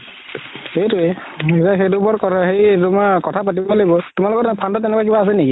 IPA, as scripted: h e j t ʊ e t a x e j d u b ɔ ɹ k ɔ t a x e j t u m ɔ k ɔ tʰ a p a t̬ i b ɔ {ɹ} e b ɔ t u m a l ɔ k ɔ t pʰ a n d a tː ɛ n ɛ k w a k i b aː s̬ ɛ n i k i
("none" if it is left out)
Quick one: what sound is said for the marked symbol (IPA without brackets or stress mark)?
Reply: l